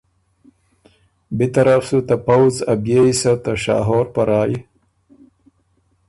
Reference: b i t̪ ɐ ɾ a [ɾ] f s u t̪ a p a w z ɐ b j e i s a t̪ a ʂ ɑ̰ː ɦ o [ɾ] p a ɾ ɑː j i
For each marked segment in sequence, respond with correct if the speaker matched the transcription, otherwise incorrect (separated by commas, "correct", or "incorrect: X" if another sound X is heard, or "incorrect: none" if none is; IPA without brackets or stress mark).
incorrect: none, correct